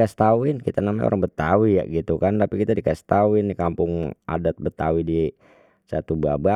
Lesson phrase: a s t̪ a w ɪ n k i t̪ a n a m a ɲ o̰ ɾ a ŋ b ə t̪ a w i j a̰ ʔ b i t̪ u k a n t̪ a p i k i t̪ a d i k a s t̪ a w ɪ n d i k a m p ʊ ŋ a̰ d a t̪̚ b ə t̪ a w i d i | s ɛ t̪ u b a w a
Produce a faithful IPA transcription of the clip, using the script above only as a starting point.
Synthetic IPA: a s t̪ a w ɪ n k i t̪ a n a m a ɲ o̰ ɾ a ŋ b ə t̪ a w i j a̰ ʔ ɡ i t̪ u k a n t̪ a p i k i t̪ a d i k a s t̪ a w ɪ n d i k a m p ʊ ŋ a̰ d a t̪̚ b ə t̪ a w i d i | s a t̪ u b a b a